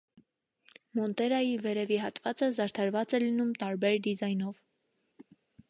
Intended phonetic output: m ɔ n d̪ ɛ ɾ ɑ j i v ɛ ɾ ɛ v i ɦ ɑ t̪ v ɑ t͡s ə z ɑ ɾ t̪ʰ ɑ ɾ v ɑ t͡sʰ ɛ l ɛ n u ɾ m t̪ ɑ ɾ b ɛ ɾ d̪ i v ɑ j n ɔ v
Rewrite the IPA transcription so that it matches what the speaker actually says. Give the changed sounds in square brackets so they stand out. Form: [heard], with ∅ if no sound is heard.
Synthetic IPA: m ɔ n [t̪] ɛ ɾ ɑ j i v ɛ ɾ ɛ v i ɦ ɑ t̪ v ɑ t͡s ə z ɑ ɾ t̪ʰ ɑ ɾ v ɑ [t͡s] ɛ l [i] n u [∅] m t̪ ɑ ɾ b ɛ ɾ d̪ i [z] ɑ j n ɔ v